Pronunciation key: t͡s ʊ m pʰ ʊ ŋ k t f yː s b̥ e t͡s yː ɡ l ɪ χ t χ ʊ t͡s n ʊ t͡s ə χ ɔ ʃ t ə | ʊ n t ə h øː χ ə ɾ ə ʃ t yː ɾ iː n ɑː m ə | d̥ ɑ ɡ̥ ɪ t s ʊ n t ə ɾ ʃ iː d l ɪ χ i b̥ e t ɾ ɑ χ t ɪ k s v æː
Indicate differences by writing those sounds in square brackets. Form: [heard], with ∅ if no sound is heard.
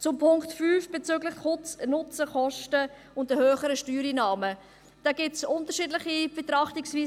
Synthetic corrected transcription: t͡s ʊ m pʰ ʊ ŋ k t f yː [f] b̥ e t͡s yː ɡ l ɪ χ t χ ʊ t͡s n ʊ t͡s ə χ ɔ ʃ t ə | ʊ n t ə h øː χ ə ɾ ə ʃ t yː ɾ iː n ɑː m ə | d̥ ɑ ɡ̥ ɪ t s ʊ n t ə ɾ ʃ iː d l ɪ χ i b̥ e t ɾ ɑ χ t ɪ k s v [iː]